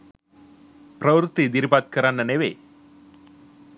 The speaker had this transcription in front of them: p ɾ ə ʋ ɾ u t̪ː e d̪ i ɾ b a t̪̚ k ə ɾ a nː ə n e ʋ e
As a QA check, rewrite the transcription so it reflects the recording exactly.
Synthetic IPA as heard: p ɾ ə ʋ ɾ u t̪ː i d̪ i ɾ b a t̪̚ k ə ɾ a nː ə n e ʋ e